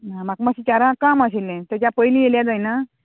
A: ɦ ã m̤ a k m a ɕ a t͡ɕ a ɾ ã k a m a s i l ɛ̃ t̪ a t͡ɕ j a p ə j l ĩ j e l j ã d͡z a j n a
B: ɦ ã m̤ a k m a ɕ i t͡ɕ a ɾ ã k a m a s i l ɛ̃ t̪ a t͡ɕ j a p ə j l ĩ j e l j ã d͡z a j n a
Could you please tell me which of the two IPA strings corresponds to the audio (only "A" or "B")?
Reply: B